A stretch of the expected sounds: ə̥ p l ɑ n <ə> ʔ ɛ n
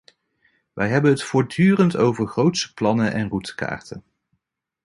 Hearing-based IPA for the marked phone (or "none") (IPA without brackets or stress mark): ə